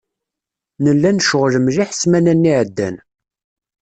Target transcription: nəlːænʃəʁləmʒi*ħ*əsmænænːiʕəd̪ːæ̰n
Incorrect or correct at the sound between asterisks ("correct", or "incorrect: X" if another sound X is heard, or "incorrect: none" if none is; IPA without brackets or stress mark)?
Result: correct